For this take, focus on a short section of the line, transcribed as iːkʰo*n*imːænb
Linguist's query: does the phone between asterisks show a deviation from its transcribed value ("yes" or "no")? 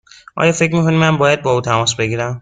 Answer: no